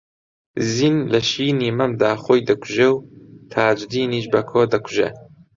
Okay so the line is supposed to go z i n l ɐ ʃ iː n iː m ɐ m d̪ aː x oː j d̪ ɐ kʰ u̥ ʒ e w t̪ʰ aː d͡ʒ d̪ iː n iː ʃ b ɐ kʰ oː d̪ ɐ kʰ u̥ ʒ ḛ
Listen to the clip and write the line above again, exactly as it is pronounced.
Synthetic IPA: z i n l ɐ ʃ iː n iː m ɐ m d̪ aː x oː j d̪ ɐ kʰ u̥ ʒ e w t̪ʰ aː d͡ʒ d̪ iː n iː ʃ b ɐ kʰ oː d̪ ɐ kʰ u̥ ʒ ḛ